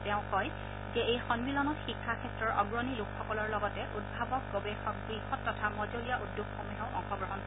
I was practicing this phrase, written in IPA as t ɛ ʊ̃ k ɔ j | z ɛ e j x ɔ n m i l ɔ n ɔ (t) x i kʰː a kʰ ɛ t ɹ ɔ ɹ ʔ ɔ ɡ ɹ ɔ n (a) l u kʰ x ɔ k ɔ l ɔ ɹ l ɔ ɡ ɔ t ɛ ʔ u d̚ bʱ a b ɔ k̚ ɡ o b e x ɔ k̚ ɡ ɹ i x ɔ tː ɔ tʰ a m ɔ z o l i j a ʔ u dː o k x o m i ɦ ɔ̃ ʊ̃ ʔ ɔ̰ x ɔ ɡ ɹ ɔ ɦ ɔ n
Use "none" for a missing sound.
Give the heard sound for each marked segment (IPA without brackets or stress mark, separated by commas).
t, i